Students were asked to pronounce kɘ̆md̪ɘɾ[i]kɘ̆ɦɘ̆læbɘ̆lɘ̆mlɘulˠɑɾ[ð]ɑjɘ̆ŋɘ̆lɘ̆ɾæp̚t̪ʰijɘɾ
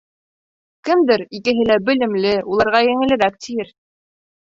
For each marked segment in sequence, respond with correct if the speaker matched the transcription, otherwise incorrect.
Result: correct, incorrect: ʁ

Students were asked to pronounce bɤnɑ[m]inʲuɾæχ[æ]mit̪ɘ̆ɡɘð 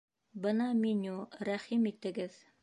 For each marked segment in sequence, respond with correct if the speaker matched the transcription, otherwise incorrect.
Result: correct, incorrect: i

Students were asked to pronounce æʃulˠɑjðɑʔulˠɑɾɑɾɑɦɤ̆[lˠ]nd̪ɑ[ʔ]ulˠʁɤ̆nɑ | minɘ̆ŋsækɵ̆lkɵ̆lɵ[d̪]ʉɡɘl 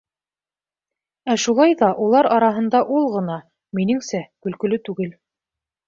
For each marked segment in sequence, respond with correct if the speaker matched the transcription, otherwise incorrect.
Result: incorrect: none, correct, incorrect: t̪

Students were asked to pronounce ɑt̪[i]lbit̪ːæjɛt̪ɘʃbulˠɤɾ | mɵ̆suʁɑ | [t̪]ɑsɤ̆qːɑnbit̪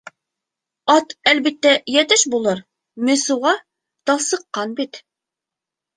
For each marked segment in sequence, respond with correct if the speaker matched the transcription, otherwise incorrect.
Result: incorrect: æ, correct

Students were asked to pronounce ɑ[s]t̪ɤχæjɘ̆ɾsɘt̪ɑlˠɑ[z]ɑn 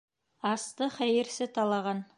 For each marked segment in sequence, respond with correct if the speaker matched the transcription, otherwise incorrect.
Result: correct, incorrect: ʁ

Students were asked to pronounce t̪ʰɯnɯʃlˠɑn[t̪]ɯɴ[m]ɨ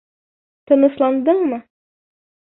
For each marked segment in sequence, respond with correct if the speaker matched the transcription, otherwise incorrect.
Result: incorrect: d̪, correct

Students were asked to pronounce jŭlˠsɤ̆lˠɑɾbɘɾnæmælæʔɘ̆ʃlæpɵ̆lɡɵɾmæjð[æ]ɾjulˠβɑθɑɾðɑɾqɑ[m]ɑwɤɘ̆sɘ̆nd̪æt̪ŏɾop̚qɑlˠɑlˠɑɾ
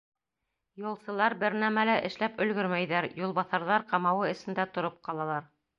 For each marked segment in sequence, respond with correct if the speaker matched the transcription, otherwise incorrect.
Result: correct, correct

